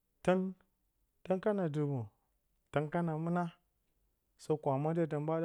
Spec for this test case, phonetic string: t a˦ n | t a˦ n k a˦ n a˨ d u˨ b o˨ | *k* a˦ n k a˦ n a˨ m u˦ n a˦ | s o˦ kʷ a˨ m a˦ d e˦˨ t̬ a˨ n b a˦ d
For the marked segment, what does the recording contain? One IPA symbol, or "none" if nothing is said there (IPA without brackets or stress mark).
t